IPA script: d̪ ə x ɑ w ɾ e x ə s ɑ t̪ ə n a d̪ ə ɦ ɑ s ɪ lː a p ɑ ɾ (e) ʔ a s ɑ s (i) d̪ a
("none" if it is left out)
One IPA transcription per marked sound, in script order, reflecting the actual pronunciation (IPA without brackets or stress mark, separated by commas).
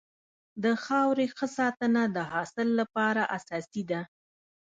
a, i